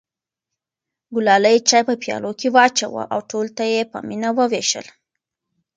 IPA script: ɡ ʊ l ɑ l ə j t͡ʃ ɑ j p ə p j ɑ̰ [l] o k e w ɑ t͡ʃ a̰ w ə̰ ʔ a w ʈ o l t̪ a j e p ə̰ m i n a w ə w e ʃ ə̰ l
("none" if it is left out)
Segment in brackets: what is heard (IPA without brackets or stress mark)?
l